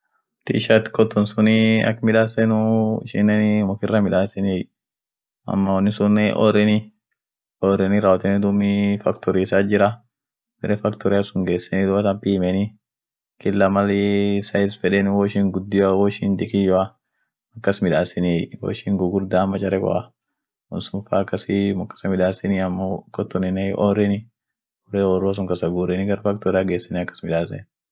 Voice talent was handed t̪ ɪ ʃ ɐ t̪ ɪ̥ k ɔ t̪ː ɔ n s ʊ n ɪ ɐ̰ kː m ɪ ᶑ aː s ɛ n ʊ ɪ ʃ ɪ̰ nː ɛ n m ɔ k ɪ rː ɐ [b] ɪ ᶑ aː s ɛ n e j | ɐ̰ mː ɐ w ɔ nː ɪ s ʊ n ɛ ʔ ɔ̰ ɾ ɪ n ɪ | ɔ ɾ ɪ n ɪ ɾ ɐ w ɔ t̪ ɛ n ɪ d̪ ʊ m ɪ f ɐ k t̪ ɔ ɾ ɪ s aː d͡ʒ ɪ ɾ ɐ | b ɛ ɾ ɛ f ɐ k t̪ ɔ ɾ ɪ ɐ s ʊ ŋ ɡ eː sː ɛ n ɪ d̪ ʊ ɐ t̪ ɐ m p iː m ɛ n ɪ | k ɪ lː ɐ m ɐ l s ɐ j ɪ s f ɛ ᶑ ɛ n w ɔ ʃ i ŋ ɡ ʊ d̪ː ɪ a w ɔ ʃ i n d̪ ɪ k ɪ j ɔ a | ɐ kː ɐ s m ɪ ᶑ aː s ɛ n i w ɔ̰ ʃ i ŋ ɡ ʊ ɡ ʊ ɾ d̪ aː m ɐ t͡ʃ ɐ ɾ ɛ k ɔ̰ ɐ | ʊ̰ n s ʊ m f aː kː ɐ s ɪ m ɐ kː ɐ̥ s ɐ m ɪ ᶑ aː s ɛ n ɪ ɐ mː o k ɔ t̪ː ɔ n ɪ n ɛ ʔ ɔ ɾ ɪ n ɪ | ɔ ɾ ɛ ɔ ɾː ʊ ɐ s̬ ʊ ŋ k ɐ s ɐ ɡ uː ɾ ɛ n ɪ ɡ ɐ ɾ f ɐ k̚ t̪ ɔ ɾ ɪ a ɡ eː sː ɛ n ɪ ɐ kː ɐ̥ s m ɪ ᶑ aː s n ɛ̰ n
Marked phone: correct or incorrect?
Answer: incorrect